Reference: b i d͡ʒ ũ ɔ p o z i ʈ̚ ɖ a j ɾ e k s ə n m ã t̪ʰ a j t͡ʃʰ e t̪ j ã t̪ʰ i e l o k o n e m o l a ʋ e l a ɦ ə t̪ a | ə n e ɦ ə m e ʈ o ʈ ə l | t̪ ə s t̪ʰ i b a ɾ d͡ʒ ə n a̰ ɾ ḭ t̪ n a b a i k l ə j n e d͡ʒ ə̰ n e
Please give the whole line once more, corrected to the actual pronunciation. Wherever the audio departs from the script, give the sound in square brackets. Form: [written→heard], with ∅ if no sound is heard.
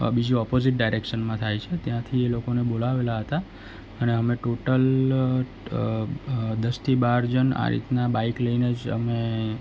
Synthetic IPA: b i d͡ʒ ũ ɔ p o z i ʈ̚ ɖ a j ɾ e k [s→ʃ] ə n m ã t̪ʰ a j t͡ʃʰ e t̪ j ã t̪ʰ i e l o k o n e [m→b] o l a ʋ e l a ɦ ə t̪ a | ə n e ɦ ə m e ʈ o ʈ ə l | [t̪→d̪] ə s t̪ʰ i b a ɾ d͡ʒ ə n a̰ ɾ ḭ t̪ n a b a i k l ə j n e d͡ʒ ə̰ [n→m] e